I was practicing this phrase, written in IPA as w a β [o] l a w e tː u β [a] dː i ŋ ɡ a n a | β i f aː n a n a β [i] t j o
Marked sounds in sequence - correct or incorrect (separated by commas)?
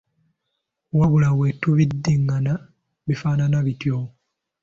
incorrect, incorrect, correct